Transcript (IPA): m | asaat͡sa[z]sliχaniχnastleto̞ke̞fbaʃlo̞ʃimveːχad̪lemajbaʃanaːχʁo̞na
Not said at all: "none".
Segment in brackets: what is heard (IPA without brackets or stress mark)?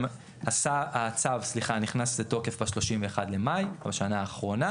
v